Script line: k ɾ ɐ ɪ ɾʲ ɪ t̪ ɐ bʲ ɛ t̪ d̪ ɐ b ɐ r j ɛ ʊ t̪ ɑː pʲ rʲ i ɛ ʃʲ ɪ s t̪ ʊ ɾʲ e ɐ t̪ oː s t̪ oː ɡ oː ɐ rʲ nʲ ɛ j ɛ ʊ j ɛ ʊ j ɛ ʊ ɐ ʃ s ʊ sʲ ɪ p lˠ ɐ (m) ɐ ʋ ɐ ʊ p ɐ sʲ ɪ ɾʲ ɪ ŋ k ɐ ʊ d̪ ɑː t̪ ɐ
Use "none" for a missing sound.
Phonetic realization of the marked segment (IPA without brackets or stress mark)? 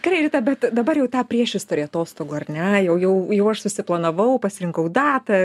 n